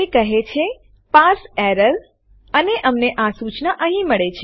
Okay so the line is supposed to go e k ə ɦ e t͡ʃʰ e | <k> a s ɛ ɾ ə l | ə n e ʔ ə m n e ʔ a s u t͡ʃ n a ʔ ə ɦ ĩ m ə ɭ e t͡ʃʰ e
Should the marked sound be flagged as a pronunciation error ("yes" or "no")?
yes